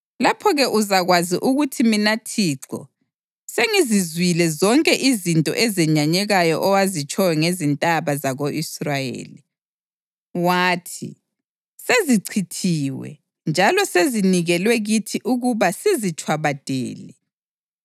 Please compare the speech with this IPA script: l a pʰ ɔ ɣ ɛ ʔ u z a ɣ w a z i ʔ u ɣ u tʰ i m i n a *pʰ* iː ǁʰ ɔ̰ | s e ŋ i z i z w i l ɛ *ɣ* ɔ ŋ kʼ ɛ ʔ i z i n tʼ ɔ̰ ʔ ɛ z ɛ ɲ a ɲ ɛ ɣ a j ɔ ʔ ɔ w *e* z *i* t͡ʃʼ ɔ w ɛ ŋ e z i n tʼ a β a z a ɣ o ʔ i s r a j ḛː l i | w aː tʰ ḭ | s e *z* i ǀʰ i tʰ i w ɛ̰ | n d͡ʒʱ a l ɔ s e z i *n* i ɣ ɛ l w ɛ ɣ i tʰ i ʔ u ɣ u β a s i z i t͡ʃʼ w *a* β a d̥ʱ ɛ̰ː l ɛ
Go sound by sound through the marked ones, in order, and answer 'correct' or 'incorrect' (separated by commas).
incorrect, incorrect, incorrect, correct, correct, correct, correct